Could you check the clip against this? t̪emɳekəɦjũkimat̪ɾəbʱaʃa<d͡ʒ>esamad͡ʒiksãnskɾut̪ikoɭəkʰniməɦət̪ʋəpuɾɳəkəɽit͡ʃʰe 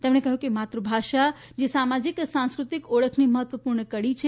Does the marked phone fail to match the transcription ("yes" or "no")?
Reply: no